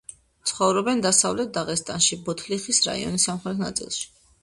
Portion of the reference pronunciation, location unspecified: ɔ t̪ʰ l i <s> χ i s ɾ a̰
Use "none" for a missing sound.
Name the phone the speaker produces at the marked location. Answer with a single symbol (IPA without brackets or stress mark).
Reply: none